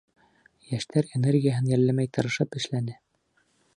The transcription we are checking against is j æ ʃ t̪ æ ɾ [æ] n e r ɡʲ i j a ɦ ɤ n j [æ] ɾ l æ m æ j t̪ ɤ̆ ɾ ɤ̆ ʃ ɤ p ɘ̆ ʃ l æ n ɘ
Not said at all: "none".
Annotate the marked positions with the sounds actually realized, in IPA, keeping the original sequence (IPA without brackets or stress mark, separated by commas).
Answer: e, æ